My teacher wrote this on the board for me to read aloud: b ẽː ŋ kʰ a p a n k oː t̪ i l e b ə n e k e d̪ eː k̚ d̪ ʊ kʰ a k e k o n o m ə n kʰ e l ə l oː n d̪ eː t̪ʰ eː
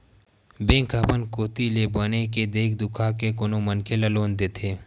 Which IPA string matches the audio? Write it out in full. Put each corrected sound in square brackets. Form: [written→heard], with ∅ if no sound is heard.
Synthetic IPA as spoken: b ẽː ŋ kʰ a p [a→ə] n k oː t̪ i l e b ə n e k e d̪ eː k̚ d̪ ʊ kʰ a k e k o n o m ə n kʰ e l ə l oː n d̪ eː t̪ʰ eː